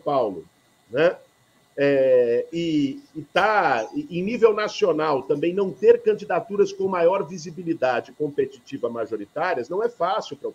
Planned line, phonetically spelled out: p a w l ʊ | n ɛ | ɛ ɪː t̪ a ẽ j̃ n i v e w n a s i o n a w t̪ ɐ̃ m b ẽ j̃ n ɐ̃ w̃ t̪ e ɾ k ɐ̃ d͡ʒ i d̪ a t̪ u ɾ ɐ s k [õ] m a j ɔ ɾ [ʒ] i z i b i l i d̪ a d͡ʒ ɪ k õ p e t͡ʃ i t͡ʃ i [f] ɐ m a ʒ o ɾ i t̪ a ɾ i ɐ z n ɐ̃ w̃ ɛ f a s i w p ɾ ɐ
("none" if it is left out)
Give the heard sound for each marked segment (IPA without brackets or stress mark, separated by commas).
õ, v, v